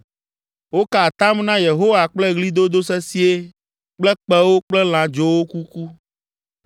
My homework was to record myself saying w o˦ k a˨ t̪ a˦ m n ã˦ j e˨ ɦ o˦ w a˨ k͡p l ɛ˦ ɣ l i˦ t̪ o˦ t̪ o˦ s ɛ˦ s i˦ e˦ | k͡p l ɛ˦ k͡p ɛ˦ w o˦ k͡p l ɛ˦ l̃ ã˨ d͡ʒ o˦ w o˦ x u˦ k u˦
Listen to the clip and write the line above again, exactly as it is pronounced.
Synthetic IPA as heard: w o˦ k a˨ t̪ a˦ m n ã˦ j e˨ ɦ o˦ w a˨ k͡p l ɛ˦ ɣ l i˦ d̪ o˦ d̪ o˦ s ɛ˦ s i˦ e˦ | k͡p l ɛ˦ k͡p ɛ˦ w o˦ k͡p l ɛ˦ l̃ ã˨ d͡ʒ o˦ w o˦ k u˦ k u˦